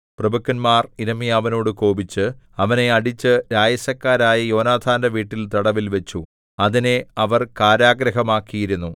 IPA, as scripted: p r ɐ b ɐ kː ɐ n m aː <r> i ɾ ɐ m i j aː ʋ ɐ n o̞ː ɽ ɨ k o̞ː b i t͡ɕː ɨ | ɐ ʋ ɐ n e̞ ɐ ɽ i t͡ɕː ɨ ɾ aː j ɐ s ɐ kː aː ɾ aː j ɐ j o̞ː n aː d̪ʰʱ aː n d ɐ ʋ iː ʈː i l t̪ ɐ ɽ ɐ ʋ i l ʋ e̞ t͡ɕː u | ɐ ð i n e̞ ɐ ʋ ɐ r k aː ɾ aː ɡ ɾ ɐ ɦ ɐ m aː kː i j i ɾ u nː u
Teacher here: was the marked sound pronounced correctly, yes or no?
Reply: yes